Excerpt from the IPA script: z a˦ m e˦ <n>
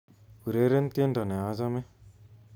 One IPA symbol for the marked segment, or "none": none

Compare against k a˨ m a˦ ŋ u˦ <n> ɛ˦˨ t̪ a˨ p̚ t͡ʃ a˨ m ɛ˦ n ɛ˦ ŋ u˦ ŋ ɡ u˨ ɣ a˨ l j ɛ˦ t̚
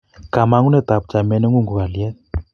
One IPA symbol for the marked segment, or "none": n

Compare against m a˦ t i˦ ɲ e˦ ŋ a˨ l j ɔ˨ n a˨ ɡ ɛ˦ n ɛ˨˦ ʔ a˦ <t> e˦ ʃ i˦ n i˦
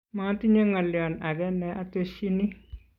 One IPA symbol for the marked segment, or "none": t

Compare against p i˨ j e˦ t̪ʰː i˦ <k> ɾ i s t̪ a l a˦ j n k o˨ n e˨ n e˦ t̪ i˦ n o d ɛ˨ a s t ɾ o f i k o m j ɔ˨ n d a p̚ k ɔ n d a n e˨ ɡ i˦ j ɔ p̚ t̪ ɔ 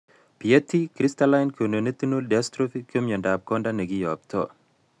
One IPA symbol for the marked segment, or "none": k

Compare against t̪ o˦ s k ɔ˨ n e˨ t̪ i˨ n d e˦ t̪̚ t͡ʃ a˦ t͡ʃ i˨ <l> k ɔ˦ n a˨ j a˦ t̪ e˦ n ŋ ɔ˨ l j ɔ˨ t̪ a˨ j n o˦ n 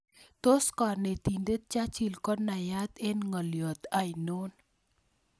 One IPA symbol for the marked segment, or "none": l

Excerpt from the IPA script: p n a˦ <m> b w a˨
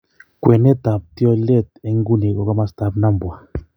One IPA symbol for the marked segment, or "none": m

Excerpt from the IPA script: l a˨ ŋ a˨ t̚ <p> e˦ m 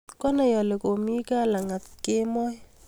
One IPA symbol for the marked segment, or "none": k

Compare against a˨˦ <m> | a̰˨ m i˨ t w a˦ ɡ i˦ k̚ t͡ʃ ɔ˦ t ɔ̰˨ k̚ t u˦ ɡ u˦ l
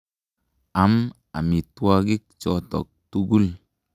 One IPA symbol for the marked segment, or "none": m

